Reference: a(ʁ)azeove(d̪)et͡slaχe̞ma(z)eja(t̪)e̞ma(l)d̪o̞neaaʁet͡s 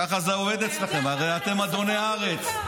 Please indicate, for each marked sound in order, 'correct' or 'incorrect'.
incorrect: χ, correct, incorrect: ʁ, correct, incorrect: none

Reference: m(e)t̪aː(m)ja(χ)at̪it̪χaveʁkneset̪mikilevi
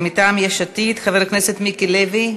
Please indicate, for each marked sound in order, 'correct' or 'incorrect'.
incorrect: i, correct, incorrect: ʃ

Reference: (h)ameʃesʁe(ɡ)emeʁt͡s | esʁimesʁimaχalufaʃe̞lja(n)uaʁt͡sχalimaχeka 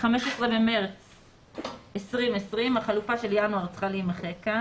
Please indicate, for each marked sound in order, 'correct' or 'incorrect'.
incorrect: χ, incorrect: b, correct

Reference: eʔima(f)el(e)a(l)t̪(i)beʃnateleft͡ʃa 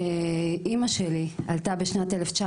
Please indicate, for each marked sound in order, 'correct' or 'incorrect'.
incorrect: ʃ, incorrect: i, correct, incorrect: a

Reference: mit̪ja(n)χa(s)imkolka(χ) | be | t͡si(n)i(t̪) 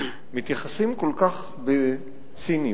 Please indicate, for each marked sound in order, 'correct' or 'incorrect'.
incorrect: none, correct, correct, correct, incorrect: none

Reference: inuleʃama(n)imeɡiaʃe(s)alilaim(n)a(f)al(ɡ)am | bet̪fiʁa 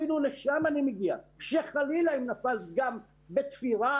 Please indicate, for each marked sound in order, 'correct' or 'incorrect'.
correct, incorrect: χ, correct, correct, correct

